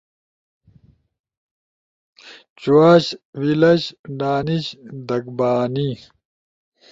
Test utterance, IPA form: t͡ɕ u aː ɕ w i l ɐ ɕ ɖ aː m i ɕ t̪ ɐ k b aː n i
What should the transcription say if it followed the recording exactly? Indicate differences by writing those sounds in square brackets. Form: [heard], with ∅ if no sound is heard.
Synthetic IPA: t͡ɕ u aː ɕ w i l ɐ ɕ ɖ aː [n] i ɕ [d̪] ɐ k b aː n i